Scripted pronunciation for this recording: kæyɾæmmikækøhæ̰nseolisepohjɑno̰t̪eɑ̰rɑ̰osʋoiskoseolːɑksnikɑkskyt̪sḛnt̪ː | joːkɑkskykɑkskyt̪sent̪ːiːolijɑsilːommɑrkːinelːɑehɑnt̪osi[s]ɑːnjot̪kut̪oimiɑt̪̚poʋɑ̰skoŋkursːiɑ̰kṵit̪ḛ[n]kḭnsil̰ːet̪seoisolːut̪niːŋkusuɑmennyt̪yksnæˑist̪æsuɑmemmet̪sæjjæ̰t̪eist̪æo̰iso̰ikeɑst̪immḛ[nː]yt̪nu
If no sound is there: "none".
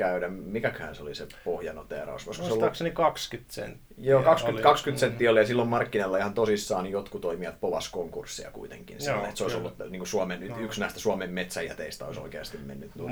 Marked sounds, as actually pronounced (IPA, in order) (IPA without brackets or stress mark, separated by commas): sː, ŋ, nː